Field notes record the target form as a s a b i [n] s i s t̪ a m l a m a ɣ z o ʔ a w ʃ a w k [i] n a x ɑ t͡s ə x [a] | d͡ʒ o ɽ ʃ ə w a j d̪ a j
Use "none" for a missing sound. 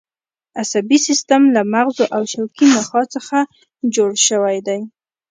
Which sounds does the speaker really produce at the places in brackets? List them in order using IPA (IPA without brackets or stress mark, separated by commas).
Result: none, i, a